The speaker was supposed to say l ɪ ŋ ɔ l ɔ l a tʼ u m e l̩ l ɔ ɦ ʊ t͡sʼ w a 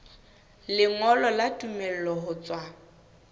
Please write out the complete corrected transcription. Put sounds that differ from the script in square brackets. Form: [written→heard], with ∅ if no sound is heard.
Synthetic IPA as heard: l ɪ ŋ ɔ l ɔ l a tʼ u m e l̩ l ɔ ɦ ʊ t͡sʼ w a